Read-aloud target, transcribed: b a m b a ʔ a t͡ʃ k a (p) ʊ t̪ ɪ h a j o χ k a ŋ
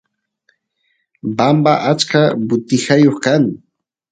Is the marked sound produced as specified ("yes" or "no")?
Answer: no